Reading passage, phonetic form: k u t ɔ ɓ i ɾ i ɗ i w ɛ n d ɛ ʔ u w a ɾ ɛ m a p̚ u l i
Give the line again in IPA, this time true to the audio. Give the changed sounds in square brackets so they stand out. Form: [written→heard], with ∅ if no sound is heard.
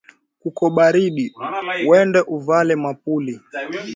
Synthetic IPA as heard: k u [t→k] ɔ ɓ [i→a] ɾ i ɗ i w ɛ n d ɛ ʔ u [w→v] a [ɾ→l] ɛ m a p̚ u l i

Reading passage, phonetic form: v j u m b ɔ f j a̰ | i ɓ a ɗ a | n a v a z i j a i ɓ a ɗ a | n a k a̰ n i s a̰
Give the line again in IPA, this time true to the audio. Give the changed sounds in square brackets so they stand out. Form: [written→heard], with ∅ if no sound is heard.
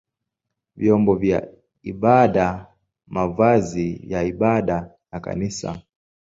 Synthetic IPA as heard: v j [u→ɔ] m b ɔ [f→v] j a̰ | i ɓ a ɗ a | [n→m] a v a z i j a i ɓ a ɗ a | n a k a̰ n i s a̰

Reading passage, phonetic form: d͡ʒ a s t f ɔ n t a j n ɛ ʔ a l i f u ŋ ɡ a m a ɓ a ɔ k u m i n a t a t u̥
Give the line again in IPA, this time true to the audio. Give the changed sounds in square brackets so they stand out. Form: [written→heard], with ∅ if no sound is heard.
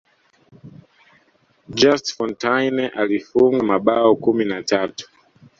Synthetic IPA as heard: d͡ʒ a s t f ɔ n t a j n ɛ ʔ a l i f u ŋ ɡ a m a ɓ a ɔ k u m i n a t a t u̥

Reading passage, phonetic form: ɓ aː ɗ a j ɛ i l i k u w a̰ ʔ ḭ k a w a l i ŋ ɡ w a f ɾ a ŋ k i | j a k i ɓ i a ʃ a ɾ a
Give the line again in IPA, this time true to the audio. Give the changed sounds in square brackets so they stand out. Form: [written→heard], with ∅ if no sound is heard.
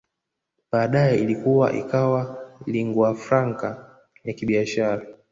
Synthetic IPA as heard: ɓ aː ɗ a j ɛ i l i k u w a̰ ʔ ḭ k a w a l i ŋ ɡ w a f ɾ a ŋ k [i→a] | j a k i ɓ i a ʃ a ɾ a

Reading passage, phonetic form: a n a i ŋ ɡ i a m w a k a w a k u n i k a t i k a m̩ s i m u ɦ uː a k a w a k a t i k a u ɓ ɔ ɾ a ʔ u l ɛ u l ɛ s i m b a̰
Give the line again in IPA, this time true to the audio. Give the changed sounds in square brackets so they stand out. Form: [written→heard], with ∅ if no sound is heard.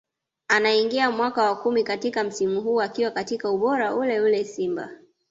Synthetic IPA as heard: a n a i ŋ ɡ i a m w a k a w a k u [n→m] i k a t i k a m̩ s i m u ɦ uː a k [a→i] w a k a t i k a u ɓ ɔ ɾ a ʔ u l ɛ u l ɛ s i m b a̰

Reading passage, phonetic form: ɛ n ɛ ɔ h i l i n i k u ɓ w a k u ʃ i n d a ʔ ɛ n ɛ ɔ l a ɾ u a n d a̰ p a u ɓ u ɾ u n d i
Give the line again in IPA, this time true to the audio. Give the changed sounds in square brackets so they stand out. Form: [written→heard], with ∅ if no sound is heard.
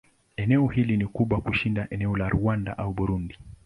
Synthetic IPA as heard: ɛ n ɛ ɔ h i l i n i k u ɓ w a k u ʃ i n d a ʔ ɛ n ɛ ɔ l a ɾ u a n d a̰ [p→ʔ] a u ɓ u ɾ u n d i

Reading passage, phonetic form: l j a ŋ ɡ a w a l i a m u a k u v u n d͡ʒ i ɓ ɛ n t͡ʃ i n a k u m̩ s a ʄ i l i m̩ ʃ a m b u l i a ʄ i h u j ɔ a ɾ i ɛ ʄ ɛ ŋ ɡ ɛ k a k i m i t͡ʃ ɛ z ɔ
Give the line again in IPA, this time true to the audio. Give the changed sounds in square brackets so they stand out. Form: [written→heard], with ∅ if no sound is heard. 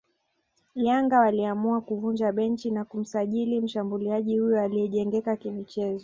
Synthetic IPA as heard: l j a ŋ ɡ a w a l i a m u a k u v u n d͡ʒ [i→a] ɓ ɛ n t͡ʃ i n a k u m̩ s a ʄ i l i m̩ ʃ a m b u l i a ʄ i h u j ɔ a [ɾ→l] i ɛ ʄ ɛ ŋ ɡ ɛ k a k i m i t͡ʃ ɛ z ɔ

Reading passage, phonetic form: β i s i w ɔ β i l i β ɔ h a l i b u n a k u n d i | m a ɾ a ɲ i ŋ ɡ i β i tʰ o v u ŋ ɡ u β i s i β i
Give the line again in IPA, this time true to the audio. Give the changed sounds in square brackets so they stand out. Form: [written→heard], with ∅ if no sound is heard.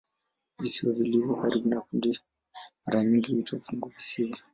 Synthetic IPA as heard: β i s i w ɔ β i l i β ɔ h a [l→ɾ] i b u n a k u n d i | m a ɾ a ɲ i ŋ ɡ i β i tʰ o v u ŋ ɡ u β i s i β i

